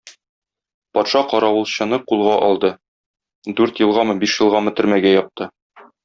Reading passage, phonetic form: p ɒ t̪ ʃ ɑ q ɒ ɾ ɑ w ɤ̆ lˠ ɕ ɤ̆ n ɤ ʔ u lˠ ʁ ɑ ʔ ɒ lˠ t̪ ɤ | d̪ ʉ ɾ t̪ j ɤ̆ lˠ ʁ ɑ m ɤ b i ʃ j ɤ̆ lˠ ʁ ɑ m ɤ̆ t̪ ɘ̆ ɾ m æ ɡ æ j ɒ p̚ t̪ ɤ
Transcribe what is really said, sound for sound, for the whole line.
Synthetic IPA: p ɒ t̪ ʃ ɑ q ɒ ɾ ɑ w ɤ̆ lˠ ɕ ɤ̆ n ɤ q u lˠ ʁ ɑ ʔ ɒ lˠ d̪ ɤ | d̪ ʉ ɾ t̪ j ɤ̆ lˠ ʁ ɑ m ɤ b i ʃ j ɤ̆ lˠ ʁ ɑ m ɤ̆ t̪ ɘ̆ ɾ m æ ɡ æ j ɒ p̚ t̪ ɤ